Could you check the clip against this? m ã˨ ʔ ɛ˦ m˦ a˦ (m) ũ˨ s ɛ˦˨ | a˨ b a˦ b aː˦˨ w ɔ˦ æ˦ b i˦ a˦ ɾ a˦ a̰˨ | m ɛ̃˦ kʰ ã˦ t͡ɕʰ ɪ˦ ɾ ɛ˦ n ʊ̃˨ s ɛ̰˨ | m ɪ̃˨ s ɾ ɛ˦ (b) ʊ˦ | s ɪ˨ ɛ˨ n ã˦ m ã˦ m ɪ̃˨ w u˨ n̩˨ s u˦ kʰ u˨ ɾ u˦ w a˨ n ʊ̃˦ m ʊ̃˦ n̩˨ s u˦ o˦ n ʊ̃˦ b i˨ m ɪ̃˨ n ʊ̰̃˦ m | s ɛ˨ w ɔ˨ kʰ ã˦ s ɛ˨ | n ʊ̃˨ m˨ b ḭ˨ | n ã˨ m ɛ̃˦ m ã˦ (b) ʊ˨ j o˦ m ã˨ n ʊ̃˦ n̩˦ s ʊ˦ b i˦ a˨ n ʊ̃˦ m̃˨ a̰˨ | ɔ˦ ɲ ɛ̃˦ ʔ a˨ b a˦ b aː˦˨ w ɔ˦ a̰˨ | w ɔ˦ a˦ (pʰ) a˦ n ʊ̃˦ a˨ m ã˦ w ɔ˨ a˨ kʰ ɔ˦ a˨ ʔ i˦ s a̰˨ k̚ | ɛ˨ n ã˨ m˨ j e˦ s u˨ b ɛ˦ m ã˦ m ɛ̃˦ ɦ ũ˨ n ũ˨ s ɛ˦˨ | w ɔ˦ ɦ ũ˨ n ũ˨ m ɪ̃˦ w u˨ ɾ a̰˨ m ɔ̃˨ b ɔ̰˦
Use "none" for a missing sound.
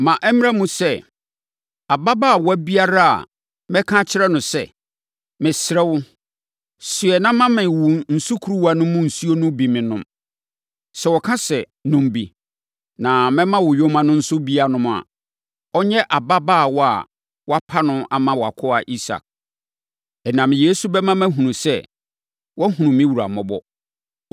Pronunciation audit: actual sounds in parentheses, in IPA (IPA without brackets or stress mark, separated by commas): m, w, w, pʰ